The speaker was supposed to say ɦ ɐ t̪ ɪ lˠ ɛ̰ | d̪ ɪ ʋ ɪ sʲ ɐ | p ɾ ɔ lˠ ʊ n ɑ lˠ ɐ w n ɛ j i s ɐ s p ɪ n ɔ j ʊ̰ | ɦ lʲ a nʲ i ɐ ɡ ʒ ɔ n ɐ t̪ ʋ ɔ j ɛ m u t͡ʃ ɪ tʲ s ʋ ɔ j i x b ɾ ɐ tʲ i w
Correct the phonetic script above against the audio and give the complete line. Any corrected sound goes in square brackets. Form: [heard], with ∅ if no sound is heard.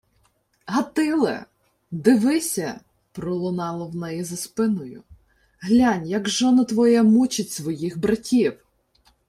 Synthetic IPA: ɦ ɐ t̪ ɪ lˠ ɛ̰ | d̪ ɪ ʋ ɪ sʲ ɐ | p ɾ ɔ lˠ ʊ n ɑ lˠ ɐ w n ɛ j i [z] ɐ s p ɪ n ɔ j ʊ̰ | ɦ lʲ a nʲ [j] ɐ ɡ ʒ ɔ n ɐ t̪ ʋ ɔ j ɛ m u t͡ʃ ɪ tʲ s ʋ ɔ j i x b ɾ ɐ tʲ i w